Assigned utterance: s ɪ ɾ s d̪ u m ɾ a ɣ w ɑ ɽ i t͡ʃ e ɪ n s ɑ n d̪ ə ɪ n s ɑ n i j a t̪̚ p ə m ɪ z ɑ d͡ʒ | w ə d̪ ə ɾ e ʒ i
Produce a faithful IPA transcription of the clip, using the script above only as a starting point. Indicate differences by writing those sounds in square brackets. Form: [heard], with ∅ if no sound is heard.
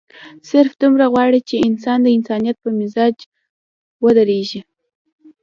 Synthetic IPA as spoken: s ɪ ɾ [f] d̪ u m ɾ a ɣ w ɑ ɽ i t͡ʃ e ɪ n s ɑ n d̪ ə ɪ n s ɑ n i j a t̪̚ p ə m ɪ z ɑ d͡ʒ | w ə d̪ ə ɾ e ʒ i